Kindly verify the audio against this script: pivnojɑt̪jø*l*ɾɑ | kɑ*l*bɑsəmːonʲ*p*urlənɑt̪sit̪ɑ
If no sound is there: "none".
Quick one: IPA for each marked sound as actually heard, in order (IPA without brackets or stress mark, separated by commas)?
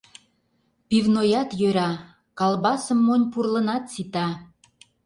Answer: none, l, p